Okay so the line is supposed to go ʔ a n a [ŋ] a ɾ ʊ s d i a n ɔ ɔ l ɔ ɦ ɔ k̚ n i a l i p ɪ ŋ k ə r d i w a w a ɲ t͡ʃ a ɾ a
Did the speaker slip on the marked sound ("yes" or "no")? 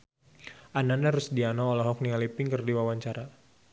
yes